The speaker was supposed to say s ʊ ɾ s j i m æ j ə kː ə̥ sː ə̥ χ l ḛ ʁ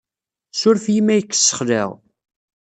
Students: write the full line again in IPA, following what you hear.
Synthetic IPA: s ʊ ɾ f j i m æ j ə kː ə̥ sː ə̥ χ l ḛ ʁ

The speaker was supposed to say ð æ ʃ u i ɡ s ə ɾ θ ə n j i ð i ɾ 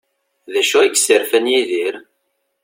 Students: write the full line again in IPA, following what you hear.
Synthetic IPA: ð æ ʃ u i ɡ s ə ɾ f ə n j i ð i ɾ

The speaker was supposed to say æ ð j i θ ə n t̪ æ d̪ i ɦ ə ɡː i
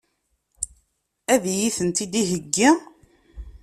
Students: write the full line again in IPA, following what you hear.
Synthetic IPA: æ ð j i θ ə n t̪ i d̪ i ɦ ə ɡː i

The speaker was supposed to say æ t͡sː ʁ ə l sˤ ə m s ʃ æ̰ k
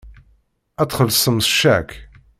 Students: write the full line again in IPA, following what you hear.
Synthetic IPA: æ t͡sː χ ə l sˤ ə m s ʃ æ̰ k

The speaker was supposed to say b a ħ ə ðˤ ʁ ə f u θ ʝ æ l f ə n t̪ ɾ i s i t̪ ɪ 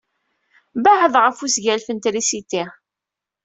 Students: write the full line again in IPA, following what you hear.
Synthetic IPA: b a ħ ə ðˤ ʁ ə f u s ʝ æ l f ə n t̪ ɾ i s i t̪ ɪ

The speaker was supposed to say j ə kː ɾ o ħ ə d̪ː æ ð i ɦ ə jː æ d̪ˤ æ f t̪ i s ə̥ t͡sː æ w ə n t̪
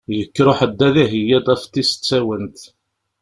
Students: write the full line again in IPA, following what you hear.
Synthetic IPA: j ə kː ɾ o ħ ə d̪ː æ ð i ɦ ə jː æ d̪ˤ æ f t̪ i s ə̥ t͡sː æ w ə n t̪

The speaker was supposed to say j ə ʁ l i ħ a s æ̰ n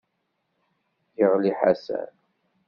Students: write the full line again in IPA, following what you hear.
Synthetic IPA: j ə ʁ l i ħ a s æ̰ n

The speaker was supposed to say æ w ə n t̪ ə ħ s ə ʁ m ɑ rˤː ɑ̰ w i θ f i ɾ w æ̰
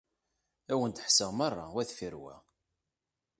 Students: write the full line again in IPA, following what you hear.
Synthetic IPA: æ w ə n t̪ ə ħ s ə ʁ m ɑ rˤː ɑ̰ w æ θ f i ɾ w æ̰

